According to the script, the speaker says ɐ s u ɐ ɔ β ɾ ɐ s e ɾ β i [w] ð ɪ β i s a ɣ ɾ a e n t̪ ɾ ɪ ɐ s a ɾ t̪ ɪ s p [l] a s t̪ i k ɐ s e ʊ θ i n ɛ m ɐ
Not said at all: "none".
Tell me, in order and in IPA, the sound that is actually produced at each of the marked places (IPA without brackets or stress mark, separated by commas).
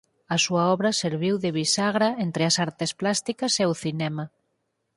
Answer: w, l